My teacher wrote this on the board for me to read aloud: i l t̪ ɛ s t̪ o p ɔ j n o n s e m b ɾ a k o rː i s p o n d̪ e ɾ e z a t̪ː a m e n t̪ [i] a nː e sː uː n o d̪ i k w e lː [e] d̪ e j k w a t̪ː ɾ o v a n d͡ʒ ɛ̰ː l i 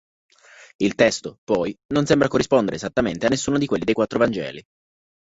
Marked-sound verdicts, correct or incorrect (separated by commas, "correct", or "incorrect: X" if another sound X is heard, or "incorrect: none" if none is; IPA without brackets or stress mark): incorrect: e, incorrect: i